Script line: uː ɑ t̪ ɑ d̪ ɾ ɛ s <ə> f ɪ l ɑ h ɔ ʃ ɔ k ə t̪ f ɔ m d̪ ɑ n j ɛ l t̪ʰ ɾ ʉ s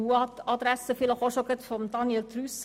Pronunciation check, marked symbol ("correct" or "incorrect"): correct